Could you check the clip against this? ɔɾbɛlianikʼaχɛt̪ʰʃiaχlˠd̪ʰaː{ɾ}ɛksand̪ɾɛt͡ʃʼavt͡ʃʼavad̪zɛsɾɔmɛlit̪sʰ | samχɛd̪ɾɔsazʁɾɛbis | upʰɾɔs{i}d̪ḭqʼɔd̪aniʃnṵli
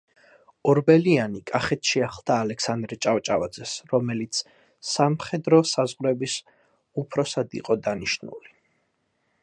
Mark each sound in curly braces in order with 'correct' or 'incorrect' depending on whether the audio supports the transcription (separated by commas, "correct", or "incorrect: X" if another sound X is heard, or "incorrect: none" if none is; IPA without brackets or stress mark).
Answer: incorrect: l, incorrect: a